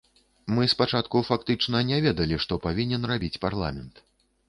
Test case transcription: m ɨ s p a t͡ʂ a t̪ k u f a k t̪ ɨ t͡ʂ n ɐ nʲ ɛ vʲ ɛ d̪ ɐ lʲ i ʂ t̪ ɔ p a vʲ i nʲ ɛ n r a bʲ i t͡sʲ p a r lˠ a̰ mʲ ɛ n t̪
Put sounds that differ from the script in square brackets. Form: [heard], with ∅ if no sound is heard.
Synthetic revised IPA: m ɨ s p a t͡ʂ a t̪ k u f a k t̪ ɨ t͡ʂ n ɐ nʲ ɛ vʲ ɛ d̪ ɐ lʲ i ʂ t̪ ɔ p a vʲ i nʲ ɛ n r a bʲ i t͡sʲ p a r lˠ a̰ mʲ ɛ n t̪